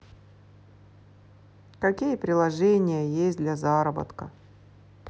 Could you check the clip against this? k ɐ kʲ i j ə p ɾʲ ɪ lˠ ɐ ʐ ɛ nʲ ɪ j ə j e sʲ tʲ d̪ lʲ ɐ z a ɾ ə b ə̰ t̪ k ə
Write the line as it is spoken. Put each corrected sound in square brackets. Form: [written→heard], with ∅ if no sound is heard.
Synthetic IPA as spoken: k ɐ kʲ i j ə p ɾʲ ɪ lˠ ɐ ʐ ɛ nʲ ɪ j ə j e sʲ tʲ d̪ lʲ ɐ z a ɾ ə b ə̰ t̪ k ə